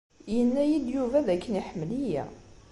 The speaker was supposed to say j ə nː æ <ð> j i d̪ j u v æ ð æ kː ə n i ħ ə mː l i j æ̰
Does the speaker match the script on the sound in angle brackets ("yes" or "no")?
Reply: no